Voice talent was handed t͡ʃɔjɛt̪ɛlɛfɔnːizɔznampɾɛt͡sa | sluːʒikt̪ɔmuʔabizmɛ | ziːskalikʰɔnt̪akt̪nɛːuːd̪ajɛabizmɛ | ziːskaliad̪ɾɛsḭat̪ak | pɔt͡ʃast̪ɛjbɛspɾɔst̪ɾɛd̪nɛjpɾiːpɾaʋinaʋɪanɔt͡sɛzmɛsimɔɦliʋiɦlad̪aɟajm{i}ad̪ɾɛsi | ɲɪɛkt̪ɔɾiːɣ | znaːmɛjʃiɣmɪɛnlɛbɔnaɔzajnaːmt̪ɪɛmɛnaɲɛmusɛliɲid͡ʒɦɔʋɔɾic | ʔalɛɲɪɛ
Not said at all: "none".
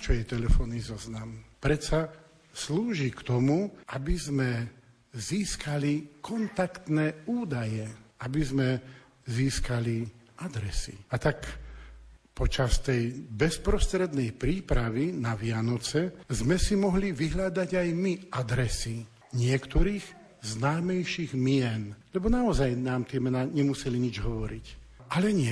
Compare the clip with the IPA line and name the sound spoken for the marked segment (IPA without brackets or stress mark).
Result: i